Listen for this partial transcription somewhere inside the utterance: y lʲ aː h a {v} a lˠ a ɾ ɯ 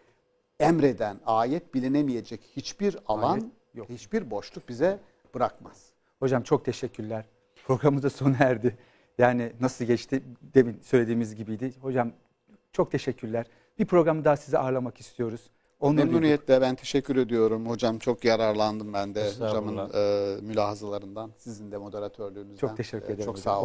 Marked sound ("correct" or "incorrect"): incorrect